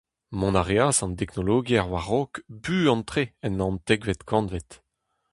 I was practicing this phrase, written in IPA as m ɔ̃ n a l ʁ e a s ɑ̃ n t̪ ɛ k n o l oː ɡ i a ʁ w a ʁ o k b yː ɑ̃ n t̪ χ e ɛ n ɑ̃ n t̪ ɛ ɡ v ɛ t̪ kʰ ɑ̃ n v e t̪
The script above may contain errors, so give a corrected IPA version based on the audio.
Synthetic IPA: m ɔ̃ n a ʁ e a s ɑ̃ n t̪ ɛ k n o l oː ɡ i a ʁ w a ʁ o k b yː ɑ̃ n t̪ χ e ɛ n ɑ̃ n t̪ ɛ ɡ v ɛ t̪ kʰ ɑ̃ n v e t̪